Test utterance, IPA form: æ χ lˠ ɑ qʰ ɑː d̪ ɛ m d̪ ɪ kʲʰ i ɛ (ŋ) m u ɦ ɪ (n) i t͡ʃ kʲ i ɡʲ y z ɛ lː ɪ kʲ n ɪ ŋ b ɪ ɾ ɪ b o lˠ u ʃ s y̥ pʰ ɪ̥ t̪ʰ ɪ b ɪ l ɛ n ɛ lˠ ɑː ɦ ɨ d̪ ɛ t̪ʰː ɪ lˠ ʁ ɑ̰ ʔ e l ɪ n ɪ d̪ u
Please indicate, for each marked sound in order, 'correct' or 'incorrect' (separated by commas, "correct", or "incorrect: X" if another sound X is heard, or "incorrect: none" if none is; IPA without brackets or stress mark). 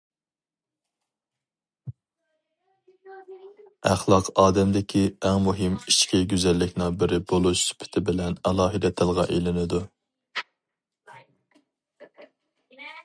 correct, incorrect: m